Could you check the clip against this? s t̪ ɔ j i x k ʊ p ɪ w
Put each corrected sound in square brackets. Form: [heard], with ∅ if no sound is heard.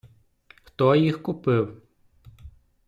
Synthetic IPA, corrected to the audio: [x] t̪ ɔ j i x k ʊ p ɪ w